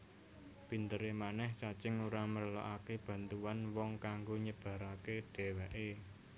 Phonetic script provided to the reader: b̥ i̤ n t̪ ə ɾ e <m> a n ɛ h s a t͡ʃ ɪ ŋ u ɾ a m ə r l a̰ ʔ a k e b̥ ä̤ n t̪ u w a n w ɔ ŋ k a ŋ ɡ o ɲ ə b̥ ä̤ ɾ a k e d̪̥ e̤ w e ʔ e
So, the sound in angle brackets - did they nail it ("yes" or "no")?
yes